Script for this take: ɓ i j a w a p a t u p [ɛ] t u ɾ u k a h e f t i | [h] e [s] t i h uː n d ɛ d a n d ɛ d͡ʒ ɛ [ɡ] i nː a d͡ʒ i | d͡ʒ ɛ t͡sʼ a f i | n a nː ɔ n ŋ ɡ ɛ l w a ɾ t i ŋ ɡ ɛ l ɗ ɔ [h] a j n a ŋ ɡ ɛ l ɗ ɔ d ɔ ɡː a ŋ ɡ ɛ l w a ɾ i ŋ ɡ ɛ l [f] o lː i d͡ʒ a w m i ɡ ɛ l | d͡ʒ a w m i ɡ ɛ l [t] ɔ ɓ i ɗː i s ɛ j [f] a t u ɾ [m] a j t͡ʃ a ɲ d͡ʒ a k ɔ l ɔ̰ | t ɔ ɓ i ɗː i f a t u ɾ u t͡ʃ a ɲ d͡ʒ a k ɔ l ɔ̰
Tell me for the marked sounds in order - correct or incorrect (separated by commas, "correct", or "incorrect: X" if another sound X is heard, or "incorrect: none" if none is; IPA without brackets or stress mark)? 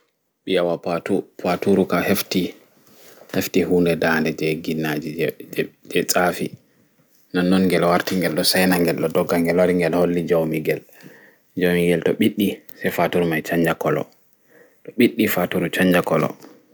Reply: incorrect: a, correct, incorrect: f, correct, incorrect: s, incorrect: h, correct, correct, correct